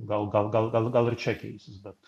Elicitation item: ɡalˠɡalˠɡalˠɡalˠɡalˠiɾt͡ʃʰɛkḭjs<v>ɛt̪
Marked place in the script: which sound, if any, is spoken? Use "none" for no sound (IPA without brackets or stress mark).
b